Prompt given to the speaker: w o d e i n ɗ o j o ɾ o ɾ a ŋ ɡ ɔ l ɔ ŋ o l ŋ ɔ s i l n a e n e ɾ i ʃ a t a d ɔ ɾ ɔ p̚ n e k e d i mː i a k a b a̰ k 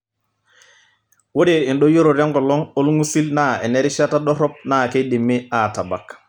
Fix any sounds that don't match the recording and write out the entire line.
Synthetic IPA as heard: w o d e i n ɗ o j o ɾ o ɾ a ŋ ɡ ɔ l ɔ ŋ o l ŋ u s i l n a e n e ɾ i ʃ a t a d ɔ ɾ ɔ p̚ n a k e d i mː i a t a b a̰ k